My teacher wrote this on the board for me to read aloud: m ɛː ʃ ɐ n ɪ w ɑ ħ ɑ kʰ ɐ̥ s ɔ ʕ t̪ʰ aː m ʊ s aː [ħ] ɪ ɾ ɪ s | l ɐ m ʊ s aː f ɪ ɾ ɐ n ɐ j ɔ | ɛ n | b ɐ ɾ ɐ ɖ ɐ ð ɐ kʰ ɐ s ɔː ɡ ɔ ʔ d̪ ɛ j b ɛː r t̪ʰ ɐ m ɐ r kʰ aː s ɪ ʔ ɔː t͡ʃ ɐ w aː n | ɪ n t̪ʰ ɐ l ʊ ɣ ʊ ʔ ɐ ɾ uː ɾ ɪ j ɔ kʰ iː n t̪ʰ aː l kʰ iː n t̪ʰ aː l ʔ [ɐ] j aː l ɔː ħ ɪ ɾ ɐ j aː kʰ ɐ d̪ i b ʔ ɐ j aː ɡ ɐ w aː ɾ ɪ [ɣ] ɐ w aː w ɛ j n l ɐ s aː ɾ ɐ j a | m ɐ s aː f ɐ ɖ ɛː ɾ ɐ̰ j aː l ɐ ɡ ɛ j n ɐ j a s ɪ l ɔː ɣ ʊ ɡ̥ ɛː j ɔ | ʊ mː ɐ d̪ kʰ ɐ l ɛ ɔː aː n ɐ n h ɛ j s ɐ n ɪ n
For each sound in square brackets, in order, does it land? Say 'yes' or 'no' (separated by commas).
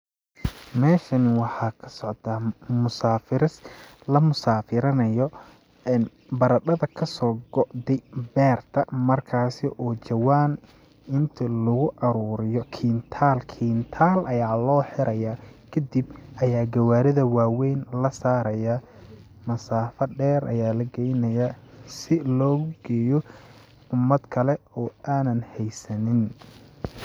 no, yes, no